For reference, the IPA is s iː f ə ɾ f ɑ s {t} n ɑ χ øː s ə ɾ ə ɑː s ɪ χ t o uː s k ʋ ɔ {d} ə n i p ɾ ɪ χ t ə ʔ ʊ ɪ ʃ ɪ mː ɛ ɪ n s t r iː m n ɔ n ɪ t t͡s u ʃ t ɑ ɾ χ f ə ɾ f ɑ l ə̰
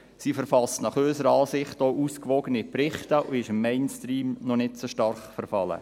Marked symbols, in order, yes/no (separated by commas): yes, no